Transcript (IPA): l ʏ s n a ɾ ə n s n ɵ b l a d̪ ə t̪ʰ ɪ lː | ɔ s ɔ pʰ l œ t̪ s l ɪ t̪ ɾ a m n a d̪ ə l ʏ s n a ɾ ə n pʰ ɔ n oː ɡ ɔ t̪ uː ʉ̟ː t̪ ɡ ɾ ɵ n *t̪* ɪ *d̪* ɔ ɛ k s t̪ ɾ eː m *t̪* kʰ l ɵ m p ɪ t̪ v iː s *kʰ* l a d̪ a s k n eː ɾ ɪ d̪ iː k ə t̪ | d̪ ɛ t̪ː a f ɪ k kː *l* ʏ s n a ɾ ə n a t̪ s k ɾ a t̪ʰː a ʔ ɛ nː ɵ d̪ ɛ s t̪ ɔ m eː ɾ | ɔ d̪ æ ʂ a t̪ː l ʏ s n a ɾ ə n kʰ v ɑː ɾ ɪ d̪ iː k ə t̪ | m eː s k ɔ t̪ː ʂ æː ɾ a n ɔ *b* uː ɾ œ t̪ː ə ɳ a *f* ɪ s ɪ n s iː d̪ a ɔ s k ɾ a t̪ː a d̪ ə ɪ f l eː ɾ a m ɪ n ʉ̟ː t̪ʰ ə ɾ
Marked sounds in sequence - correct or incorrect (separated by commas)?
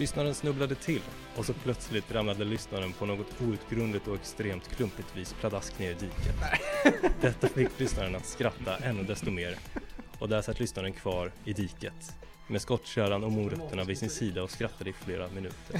incorrect, incorrect, correct, incorrect, correct, incorrect, incorrect